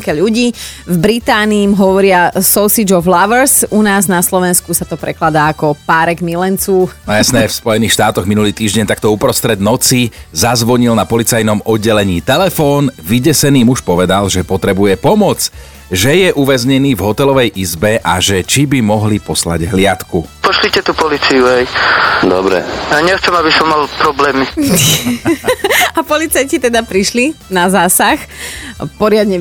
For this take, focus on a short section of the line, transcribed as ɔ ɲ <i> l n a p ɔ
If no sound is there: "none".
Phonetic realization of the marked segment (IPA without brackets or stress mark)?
i